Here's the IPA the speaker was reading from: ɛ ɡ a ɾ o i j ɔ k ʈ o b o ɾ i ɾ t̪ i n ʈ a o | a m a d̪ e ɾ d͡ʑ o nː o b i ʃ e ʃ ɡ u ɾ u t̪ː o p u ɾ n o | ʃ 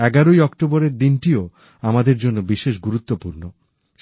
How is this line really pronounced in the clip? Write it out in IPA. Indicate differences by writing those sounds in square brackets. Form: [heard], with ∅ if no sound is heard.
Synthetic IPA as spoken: ɛ ɡ a ɾ o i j ɔ k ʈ o b o ɾ [e] ɾ [d̪] i n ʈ [i] o | a m a d̪ e ɾ d͡ʑ o nː o b i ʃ e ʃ ɡ u ɾ u t̪ː o p u ɾ n o | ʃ